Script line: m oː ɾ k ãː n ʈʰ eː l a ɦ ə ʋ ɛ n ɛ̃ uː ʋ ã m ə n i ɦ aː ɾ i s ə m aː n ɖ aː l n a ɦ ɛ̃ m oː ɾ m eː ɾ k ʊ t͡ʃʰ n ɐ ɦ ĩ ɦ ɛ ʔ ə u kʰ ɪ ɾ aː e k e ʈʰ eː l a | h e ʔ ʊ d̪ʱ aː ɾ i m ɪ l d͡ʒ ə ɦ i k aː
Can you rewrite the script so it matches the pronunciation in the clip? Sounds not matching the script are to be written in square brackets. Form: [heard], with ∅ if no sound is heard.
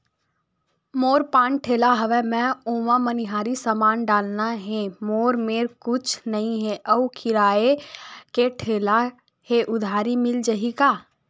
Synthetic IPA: m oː ɾ [p] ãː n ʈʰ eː l a ɦ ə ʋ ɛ [m] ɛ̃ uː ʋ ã m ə n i ɦ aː ɾ i s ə m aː n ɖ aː l n a ɦ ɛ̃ m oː ɾ m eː ɾ k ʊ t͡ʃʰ n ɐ ɦ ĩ ɦ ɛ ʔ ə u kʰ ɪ ɾ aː e k e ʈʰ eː l a | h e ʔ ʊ d̪ʱ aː ɾ i m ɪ l d͡ʒ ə ɦ i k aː